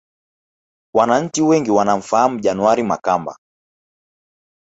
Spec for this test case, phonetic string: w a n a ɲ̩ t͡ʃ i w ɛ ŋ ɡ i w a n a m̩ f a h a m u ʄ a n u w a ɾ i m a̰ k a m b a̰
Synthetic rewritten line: w a n a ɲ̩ t͡ʃ i w ɛ ŋ ɡ i w a n a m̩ f a h a m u ʄ a n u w a ɾ i m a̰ k a m b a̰